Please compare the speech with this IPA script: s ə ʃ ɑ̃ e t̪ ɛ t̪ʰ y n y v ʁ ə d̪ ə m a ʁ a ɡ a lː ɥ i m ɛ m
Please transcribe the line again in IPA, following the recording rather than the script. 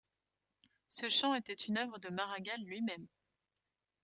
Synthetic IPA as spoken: s ə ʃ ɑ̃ e t̪ ɛ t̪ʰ y n œ v ʁ ə d̪ ə m a ʁ a ɡ a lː ɥ i m ɛ m